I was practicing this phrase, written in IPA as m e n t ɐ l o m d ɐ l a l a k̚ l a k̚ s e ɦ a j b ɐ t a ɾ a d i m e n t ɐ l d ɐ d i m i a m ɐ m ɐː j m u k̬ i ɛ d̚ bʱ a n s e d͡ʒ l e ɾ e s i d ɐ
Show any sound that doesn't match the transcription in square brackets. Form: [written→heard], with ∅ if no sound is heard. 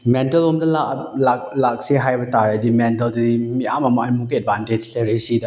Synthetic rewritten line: m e n t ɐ l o m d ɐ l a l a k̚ l a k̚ s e ɦ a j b ɐ t a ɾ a d i m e n t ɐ l d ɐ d i m i a m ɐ m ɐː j m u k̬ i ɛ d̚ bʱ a n [s→t] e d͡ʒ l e ɾ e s i d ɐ

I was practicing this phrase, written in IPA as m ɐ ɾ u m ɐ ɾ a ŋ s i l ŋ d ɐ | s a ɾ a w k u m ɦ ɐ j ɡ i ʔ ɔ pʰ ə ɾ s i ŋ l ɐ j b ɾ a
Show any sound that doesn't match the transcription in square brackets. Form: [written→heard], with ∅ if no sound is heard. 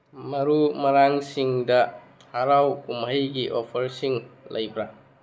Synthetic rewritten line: m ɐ ɾ u m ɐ ɾ a ŋ s i [l→∅] ŋ d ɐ | [s→h] a ɾ a w k u m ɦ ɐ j ɡ i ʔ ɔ pʰ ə ɾ s i ŋ l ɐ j b ɾ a

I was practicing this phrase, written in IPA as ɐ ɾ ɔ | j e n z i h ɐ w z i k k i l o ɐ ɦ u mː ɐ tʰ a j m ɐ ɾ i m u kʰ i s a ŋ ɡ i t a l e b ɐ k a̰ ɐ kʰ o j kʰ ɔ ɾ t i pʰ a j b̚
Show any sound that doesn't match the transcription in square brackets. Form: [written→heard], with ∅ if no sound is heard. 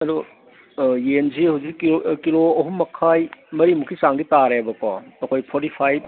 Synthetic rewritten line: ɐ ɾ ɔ | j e n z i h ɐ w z i k k i l o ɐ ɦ u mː ɐ [tʰ→kʰ] a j m ɐ ɾ i m u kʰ i s a ŋ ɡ i t a [l→ɾ] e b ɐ k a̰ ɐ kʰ o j [kʰ→pʰ] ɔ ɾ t i pʰ a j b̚

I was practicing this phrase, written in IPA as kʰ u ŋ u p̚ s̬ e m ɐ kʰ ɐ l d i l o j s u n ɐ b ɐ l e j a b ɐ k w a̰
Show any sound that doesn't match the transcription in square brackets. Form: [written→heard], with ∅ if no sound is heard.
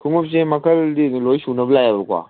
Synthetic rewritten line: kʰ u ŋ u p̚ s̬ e m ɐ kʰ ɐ l d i l o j s u n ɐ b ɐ l [e→a] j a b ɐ k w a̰

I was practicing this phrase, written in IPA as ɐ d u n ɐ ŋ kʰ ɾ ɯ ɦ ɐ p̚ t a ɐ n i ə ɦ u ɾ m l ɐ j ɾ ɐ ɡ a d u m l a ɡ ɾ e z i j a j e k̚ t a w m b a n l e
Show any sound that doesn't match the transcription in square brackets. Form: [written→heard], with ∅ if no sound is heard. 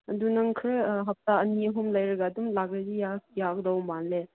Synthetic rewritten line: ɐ d u n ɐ ŋ kʰ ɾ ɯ ɦ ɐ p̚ t a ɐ n i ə ɦ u [ɾ→∅] m l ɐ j ɾ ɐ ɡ a d u m l a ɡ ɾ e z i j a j [e→a] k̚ [t→d] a w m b a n l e

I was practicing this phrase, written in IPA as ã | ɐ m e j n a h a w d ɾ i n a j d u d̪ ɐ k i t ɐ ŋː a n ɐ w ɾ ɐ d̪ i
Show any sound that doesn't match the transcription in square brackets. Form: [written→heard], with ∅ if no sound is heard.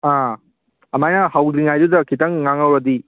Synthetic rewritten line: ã | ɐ m [e→a] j n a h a w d ɾ i [n→ŋ] a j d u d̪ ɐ k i t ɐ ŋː a [n→ŋ] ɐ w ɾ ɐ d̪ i

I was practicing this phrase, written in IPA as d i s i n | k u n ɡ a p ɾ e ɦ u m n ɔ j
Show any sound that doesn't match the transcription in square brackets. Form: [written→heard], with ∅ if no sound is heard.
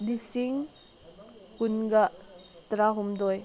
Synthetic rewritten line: d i s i [n→ŋ] | k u n ɡ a [p→t] ɾ [e→a] ɦ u m [n→d] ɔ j

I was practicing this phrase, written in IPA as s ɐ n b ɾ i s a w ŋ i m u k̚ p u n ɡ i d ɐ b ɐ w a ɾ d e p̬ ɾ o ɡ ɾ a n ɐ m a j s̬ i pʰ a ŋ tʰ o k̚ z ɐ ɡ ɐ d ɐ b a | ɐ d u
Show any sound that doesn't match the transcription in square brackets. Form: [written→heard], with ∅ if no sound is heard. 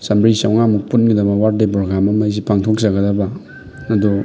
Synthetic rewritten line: s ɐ [n→m] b ɾ i s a w ŋ [i→a] m u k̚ p u n ɡ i d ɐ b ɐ w a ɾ d e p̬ ɾ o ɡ ɾ a [n→m] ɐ m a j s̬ i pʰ a ŋ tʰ o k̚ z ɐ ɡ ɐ d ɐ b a | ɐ d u

